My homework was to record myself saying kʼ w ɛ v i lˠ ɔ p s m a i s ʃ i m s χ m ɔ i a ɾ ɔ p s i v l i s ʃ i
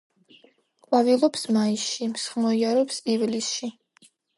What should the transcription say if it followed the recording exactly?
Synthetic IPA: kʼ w a v i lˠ ɔ p s m a i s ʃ i m s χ m ɔ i a ɾ ɔ p s i v l i s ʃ i

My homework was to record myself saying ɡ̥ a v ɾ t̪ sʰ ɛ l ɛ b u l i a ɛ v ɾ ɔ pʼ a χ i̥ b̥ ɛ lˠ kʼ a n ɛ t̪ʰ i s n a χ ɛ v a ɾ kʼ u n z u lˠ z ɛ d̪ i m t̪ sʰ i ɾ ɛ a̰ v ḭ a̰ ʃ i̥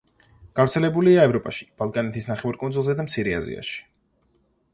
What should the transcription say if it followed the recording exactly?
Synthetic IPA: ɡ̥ a v ɾ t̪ sʰ ɛ l ɛ b u l i a ɛ v ɾ ɔ pʼ a ʃ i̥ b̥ a lˠ kʼ a n ɛ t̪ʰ i s n a χ ɛ v a ɾ kʼ u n z u lˠ z ɛ d̪ a m t̪ sʰ i ɾ ɛ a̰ z ḭ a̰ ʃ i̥

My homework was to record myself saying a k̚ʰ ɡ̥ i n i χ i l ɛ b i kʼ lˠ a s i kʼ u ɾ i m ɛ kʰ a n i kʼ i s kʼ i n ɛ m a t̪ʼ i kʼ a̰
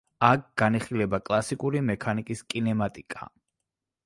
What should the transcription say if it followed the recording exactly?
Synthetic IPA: a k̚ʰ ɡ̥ a n i χ i l ɛ b a kʼ lˠ a s i kʼ u ɾ i m ɛ kʰ a n i kʼ i s kʼ i n ɛ m a t̪ʼ i kʼ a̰

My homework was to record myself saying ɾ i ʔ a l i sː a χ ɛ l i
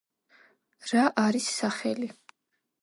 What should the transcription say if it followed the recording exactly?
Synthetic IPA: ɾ a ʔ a ɾ i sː a χ ɛ l i

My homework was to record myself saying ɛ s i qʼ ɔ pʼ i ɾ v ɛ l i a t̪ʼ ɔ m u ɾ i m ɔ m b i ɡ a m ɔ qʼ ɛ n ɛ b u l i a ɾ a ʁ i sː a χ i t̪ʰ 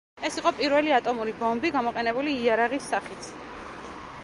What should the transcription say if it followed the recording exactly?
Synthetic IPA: ɛ s i qʼ ɔ pʼ i ɾ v ɛ l i a t̪ʼ ɔ m u ɾ i b ɔ m b i ɡ a m ɔ qʼ ɛ n ɛ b u l iː a ɾ a ʁ i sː a χ i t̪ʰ

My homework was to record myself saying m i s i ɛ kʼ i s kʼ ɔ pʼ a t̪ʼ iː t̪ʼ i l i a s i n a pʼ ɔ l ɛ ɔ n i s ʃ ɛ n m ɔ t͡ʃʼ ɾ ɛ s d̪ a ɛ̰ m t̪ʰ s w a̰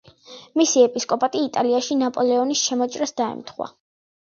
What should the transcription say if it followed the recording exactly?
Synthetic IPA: m i s i ɛ pʼ i s kʼ ɔ pʼ a t̪ʼ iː t̪ʼ a l i a ʃ i n a pʼ ɔ l ɛ ɔ n i s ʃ ɛ m ɔ t͡ʃʼ ɾ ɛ s d̪ a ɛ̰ m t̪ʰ χ w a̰

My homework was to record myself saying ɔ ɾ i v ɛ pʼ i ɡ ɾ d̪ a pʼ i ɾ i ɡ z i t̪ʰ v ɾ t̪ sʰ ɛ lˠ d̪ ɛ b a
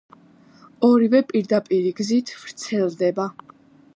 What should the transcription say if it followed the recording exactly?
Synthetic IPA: ɔ ɾ i v ɛ pʼ i ɾ d̪ a pʼ i ɾ i ɡ z i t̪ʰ v ɾ t̪ sʰ ɛ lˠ d̪ ɛ b a

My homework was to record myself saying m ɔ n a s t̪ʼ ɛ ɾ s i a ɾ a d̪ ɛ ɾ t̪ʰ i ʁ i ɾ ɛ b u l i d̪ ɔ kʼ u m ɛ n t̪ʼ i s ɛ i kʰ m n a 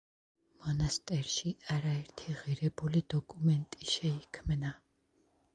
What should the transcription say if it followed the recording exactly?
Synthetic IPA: m ɔ n a s t̪ʼ ɛ ɾ ʃ i a ɾ a ɛ ɾ t̪ʰ i ʁ i ɾ ɛ b u l i d̪ ɔ kʼ u m ɛ n t̪ʼ i ʃ ɛ i kʰ m n a

